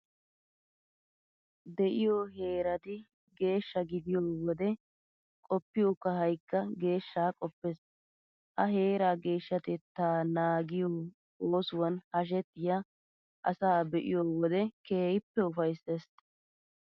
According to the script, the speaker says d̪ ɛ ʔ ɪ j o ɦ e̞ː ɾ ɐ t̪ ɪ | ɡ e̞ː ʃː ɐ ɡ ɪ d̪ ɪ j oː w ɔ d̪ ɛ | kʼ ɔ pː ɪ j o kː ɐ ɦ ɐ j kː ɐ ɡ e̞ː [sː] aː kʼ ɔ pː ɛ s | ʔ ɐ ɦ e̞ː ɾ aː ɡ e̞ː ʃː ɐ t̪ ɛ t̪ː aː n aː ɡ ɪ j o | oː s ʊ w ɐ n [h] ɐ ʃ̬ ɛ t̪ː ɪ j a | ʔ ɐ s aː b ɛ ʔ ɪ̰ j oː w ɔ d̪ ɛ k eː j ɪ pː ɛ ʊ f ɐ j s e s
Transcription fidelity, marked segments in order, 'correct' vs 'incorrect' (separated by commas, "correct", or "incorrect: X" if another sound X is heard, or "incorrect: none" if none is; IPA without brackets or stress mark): incorrect: ʃː, correct